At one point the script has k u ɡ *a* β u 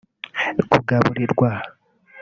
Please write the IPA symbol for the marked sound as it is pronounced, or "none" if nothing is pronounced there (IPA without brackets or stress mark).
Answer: a